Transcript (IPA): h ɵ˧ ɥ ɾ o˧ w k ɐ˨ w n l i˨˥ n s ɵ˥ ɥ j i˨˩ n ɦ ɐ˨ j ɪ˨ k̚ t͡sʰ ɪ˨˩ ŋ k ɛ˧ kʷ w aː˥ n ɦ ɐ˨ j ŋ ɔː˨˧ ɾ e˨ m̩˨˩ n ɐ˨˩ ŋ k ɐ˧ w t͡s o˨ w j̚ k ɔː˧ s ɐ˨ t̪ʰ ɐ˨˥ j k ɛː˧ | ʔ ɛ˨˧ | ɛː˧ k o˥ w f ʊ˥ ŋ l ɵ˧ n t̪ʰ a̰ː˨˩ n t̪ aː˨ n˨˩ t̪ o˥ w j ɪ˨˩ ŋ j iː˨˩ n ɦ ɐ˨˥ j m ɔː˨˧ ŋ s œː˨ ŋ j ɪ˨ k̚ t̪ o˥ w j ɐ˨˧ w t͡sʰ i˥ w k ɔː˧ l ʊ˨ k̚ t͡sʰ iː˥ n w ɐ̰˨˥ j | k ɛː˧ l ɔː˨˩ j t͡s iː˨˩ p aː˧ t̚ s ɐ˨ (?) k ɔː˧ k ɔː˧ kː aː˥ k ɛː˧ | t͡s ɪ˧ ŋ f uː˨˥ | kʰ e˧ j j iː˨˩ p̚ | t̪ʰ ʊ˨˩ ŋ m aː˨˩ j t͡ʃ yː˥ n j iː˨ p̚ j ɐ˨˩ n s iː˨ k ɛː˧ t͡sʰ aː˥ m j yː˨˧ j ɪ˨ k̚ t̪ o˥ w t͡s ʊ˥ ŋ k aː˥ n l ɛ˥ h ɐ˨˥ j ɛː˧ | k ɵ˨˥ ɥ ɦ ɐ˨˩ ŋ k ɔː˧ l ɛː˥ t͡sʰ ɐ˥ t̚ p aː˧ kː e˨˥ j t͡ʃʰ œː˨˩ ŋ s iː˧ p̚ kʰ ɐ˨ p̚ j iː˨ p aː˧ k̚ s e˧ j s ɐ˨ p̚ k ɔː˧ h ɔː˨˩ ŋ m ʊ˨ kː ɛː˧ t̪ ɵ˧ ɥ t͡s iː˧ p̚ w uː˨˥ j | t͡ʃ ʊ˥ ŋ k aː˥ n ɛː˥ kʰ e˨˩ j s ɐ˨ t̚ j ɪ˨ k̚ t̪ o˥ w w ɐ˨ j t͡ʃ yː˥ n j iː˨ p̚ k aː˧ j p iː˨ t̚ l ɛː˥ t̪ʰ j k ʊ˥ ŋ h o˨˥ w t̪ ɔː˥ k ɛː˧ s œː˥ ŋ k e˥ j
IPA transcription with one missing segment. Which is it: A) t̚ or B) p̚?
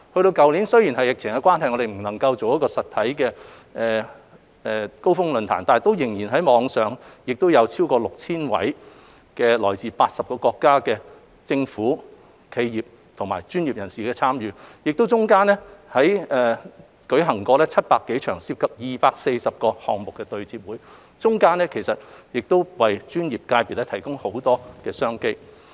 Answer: B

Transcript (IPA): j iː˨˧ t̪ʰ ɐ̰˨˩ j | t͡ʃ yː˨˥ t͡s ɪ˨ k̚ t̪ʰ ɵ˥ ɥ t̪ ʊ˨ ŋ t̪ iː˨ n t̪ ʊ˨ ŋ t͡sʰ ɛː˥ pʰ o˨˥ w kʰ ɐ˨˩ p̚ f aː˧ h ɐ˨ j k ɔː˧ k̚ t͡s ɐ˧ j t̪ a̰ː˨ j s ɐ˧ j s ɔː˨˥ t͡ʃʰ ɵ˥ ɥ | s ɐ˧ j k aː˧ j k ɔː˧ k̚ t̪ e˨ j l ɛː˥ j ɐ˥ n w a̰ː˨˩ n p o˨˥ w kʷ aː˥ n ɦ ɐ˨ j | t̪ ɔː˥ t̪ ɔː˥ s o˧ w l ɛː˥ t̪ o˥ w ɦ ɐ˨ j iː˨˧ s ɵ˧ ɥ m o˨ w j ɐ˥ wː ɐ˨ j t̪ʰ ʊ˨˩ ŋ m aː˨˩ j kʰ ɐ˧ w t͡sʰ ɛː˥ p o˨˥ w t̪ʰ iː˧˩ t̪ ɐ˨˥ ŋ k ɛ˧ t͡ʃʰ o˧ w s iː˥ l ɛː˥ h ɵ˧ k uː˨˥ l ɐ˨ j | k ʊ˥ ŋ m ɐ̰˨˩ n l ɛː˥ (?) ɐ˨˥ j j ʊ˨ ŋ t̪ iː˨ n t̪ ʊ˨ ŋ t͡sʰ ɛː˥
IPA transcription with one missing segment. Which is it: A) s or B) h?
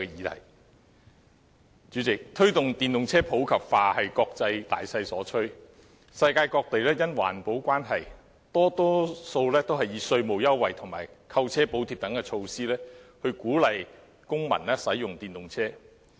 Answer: A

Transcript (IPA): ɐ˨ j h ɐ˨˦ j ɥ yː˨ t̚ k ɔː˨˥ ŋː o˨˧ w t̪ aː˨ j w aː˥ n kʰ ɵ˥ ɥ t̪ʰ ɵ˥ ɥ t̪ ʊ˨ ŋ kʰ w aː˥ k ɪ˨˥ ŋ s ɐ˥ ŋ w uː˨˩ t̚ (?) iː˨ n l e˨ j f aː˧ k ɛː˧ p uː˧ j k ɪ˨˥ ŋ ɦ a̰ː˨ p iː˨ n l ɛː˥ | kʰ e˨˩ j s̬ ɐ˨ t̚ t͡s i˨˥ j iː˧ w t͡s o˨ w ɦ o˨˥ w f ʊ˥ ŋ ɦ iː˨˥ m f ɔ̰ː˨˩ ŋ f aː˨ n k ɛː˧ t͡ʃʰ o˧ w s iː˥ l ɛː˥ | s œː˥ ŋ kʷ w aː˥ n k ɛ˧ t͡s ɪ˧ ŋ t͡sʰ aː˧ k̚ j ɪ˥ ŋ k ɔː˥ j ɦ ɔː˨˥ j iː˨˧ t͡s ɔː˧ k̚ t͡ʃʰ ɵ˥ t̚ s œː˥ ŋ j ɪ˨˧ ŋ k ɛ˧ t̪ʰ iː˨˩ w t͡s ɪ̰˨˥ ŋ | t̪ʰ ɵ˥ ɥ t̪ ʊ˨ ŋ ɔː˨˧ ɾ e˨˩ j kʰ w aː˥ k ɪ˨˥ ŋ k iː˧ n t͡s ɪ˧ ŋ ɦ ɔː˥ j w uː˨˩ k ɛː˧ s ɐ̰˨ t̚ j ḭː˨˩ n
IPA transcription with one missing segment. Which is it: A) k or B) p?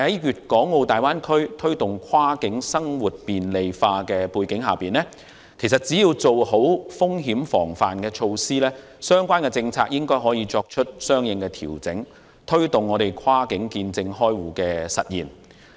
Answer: B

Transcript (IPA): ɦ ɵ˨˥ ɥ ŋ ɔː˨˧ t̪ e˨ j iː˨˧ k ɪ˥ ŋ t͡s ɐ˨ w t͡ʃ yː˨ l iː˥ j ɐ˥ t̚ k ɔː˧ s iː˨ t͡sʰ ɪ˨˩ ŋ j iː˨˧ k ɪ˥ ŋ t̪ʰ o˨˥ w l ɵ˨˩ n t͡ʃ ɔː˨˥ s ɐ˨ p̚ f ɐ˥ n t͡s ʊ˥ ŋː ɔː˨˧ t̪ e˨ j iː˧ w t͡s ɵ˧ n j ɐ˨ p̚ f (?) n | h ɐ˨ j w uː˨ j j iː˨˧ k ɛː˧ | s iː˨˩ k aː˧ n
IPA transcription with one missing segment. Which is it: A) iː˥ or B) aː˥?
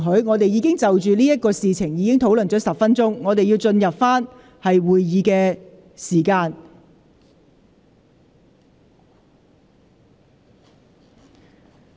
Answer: B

